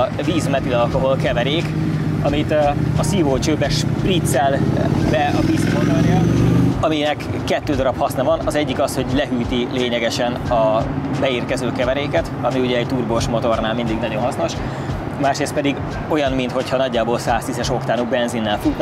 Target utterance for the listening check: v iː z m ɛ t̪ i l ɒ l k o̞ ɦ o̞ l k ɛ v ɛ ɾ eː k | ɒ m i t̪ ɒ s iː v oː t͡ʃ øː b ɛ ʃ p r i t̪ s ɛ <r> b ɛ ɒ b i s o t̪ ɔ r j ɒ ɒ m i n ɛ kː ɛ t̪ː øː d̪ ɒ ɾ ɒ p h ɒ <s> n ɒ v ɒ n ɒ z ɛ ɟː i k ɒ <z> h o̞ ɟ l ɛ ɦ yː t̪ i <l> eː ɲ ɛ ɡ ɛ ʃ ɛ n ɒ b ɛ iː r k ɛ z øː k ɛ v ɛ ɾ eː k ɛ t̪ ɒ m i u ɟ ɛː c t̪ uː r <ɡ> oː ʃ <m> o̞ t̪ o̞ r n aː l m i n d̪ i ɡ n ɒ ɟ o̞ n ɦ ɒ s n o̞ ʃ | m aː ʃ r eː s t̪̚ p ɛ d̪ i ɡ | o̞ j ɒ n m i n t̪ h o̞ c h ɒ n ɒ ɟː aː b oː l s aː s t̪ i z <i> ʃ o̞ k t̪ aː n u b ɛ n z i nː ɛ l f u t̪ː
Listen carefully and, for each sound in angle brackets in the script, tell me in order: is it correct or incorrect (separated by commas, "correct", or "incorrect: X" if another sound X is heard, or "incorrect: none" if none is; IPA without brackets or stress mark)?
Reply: incorrect: l, correct, incorrect: s, correct, incorrect: b, correct, incorrect: ɛ